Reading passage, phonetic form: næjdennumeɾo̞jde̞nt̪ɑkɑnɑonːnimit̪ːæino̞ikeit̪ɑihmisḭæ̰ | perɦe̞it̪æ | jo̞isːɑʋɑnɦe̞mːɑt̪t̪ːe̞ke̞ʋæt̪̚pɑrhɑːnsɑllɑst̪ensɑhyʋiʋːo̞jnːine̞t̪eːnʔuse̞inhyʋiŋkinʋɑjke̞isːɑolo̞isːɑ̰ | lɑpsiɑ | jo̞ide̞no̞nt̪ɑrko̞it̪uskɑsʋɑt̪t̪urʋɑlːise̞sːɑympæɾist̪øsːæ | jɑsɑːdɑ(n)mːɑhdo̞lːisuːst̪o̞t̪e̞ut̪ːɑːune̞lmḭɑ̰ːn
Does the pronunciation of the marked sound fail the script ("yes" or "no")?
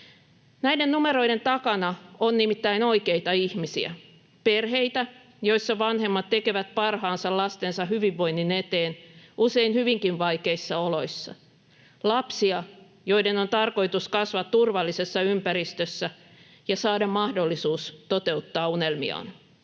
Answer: yes